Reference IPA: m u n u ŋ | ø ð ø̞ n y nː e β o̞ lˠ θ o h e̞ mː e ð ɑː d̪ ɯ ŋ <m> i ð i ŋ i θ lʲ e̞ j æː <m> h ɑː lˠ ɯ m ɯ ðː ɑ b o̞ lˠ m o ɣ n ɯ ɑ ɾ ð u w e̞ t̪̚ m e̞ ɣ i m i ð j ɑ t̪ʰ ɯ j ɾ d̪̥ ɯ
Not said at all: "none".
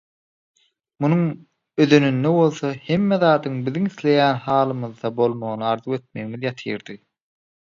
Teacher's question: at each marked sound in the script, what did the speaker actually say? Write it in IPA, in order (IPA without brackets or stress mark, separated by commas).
b, n